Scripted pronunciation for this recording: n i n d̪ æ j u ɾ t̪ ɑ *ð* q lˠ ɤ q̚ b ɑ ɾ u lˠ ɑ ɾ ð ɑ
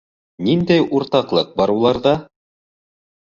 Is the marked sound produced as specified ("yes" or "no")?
no